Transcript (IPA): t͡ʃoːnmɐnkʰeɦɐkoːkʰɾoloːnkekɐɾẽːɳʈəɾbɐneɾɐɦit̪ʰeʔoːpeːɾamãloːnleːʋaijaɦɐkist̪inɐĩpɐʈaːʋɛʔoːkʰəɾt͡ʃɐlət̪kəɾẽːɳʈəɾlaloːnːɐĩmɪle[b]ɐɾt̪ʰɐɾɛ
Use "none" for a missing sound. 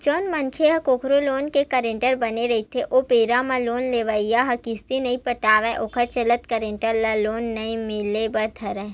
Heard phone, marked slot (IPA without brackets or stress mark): b